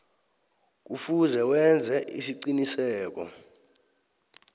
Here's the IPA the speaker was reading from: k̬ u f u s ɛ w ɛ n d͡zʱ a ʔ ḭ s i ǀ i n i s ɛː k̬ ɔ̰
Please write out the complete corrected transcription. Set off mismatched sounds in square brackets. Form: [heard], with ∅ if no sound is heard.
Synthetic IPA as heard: k̬ u f u [z] ɛ w ɛ n d͡zʱ [ɛ] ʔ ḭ s i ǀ i n i s ɛː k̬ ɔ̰